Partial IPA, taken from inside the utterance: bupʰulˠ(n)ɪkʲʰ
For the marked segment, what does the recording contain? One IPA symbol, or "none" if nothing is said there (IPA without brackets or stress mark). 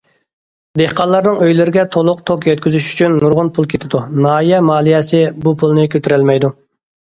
n